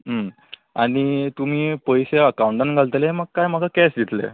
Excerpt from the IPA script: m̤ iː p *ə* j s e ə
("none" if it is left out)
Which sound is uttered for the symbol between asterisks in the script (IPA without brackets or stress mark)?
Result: ə